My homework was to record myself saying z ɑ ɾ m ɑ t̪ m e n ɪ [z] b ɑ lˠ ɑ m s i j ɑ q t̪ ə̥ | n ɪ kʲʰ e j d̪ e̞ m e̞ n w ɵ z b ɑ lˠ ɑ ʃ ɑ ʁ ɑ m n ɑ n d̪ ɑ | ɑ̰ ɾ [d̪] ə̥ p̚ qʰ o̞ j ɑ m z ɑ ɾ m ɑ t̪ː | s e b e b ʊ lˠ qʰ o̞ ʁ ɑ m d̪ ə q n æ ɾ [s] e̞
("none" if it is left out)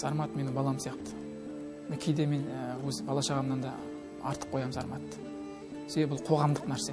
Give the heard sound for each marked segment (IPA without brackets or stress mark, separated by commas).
none, t̪, s